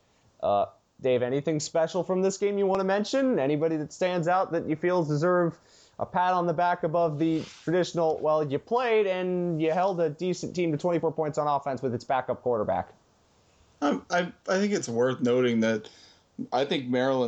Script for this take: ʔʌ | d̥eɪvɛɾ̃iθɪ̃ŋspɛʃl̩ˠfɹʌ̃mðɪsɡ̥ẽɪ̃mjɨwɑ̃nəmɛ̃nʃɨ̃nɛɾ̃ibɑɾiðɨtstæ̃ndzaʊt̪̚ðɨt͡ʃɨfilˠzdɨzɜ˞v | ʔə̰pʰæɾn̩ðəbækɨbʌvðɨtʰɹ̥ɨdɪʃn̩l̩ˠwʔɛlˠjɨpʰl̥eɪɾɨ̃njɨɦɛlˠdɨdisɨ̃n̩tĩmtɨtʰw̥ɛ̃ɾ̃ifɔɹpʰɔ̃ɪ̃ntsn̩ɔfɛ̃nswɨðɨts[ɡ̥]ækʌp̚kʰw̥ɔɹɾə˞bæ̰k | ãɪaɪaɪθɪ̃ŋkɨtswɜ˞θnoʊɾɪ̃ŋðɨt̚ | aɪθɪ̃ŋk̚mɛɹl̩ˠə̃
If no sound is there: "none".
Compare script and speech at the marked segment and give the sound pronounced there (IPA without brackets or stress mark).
b̥